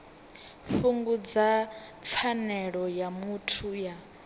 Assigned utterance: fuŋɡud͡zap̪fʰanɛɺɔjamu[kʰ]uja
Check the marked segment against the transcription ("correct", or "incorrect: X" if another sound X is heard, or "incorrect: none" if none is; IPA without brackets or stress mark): incorrect: tʰ